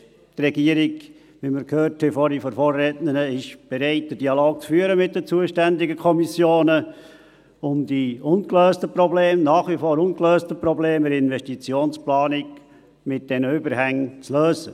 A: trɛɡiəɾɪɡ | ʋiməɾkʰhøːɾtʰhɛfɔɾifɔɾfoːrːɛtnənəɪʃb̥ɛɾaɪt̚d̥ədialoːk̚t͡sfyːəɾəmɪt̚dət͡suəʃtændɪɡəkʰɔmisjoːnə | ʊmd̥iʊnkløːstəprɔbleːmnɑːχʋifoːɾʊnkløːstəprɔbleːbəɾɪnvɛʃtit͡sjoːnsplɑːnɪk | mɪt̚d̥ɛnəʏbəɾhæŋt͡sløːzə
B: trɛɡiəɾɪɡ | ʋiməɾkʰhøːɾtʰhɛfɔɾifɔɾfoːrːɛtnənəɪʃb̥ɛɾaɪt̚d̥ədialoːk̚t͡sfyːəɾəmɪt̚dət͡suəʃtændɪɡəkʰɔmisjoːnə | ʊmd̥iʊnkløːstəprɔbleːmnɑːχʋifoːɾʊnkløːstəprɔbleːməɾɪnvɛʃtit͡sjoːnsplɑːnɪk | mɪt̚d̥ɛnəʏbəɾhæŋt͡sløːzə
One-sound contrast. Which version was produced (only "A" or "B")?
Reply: B